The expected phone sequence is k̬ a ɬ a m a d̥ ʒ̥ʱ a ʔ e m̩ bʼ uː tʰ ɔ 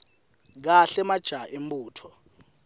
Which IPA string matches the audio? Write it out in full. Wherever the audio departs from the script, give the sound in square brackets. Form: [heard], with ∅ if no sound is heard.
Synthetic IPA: k̬ a ɬ [ɛ] m a d̥ ʒ̥ʱ a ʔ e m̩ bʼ uː tʰ ɔ